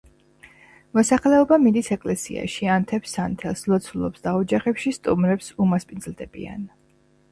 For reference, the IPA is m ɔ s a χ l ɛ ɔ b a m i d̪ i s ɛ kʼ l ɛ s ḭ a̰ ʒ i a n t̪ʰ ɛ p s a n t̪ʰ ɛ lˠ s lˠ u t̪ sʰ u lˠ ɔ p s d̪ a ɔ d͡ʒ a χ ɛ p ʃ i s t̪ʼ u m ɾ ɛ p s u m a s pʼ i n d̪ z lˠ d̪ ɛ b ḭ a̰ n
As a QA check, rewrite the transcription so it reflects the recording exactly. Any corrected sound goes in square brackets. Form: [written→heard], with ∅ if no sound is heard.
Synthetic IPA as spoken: m ɔ s a χ l ɛ ɔ b a m i d̪ i s ɛ kʼ l ɛ s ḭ a̰ [ʒ→ʃ] i a n t̪ʰ ɛ p s a n t̪ʰ ɛ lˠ s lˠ [u→ɔ] t̪ sʰ u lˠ ɔ p s d̪ a ɔ d͡ʒ a χ ɛ p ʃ i s t̪ʼ u m ɾ ɛ p s u m a s pʼ i n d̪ z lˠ d̪ ɛ b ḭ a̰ n